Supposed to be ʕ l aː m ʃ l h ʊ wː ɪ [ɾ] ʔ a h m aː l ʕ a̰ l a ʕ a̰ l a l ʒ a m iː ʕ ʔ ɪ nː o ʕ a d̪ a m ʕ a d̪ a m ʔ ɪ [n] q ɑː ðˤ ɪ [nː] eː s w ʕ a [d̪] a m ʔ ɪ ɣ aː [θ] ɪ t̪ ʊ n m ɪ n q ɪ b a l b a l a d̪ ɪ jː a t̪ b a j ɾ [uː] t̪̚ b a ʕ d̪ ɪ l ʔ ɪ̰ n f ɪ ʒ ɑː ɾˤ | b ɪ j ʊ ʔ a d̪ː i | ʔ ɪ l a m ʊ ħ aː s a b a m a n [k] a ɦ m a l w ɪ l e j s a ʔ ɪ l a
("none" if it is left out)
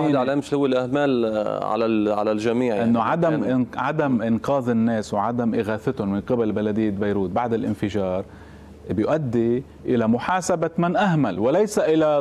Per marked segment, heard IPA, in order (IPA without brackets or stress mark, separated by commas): l, n, nː, d̪, θ, uː, ʔ